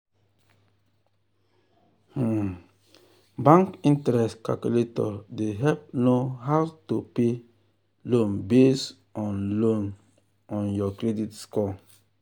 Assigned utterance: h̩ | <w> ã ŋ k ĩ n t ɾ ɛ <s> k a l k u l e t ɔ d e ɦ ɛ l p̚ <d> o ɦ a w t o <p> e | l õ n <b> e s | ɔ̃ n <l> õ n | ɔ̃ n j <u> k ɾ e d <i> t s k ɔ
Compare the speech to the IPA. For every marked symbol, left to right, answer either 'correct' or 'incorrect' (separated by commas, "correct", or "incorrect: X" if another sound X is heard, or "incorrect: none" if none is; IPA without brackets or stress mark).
incorrect: b, correct, incorrect: n, correct, correct, correct, incorrect: ɔ, correct